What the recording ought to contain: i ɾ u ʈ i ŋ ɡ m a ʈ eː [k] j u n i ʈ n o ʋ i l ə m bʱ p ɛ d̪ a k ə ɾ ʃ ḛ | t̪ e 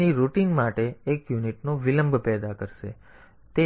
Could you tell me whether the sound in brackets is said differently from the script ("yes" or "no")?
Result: no